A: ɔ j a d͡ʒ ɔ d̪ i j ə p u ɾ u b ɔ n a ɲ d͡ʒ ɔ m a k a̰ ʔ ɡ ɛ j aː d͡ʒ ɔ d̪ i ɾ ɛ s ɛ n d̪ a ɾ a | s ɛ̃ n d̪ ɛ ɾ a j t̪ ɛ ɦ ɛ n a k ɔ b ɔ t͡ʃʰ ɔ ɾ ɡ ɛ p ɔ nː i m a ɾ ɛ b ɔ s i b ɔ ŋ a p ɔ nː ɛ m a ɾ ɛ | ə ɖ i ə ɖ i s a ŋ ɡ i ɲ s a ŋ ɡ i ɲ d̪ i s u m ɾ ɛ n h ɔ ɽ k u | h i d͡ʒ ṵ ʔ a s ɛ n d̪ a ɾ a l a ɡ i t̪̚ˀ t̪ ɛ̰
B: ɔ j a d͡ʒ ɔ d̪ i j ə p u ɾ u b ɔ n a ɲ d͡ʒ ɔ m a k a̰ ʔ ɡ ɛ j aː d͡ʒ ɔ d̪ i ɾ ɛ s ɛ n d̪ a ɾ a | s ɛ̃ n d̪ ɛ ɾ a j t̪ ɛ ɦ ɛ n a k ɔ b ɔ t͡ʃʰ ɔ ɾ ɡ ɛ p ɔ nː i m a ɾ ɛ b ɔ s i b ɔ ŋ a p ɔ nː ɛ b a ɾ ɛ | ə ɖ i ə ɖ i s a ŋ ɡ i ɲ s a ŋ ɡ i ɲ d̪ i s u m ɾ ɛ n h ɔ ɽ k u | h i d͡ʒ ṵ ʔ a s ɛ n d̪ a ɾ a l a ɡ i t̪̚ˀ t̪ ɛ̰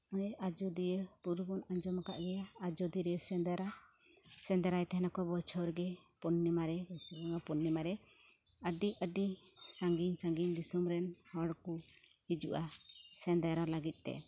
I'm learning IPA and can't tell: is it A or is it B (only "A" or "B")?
A